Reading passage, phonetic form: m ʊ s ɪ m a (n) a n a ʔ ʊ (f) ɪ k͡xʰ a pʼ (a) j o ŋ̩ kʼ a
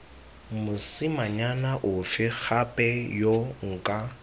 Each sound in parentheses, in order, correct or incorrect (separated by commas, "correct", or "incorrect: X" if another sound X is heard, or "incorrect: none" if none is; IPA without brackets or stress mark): incorrect: ɲ, correct, incorrect: ɛ